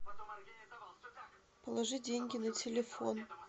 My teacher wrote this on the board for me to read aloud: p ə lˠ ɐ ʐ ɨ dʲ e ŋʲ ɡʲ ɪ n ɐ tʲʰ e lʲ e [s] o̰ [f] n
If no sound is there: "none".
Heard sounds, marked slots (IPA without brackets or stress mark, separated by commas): f, none